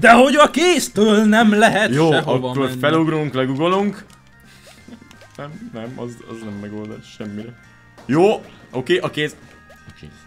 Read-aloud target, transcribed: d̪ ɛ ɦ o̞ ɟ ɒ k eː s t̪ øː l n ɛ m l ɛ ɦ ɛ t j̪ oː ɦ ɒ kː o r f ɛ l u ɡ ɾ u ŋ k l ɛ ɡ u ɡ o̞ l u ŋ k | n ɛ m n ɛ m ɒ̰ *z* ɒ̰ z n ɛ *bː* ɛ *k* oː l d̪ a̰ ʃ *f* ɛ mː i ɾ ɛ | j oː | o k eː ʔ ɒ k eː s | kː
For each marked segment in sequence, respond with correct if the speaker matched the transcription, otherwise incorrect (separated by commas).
correct, incorrect, incorrect, incorrect